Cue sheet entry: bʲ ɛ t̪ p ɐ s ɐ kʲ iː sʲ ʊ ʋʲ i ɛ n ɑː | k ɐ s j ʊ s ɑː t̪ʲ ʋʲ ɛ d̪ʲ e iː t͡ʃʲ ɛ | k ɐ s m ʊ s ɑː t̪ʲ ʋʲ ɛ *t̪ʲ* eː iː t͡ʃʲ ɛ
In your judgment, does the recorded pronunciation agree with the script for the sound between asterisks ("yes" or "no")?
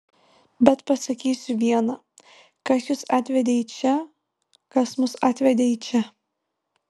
no